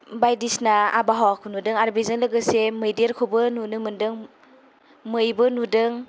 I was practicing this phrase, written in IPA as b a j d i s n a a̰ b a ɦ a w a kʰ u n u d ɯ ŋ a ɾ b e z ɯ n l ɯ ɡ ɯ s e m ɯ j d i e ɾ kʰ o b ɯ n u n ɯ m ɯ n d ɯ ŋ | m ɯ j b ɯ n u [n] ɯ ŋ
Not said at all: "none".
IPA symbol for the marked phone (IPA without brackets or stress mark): d